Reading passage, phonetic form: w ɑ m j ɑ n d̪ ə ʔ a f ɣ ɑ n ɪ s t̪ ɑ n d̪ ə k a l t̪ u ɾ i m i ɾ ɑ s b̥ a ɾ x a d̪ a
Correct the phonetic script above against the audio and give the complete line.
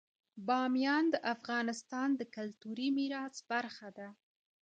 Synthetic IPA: b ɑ m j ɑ n d̪ ə ʔ a f ɣ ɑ n ɪ s t̪ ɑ n d̪ ə k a l t̪ u ɾ i m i ɾ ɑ s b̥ a ɾ x a d̪ a